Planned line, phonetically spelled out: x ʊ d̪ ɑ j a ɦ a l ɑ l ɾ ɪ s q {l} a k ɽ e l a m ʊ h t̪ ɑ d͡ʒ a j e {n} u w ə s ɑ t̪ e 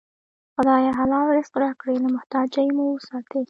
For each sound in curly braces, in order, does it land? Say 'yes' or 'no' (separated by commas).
no, no